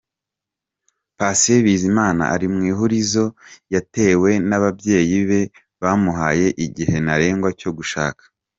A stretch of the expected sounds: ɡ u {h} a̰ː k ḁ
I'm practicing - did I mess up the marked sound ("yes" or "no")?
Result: yes